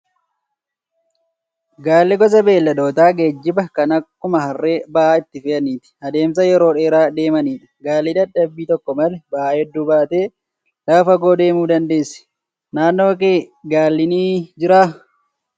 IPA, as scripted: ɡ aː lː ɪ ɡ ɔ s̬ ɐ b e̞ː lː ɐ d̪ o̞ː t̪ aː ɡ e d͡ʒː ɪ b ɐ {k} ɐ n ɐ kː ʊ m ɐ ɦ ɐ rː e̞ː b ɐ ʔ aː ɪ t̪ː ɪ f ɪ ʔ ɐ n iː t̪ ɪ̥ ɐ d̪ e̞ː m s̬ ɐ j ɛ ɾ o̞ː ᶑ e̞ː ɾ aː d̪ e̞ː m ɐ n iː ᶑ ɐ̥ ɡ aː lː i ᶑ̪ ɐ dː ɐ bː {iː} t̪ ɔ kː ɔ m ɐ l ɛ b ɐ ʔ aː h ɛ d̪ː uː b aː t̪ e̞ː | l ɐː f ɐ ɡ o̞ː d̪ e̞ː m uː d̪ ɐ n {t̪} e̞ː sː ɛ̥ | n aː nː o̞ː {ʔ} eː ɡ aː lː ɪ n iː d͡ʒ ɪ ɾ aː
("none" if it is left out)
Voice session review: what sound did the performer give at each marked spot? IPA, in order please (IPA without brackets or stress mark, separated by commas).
k, iː, d̪, k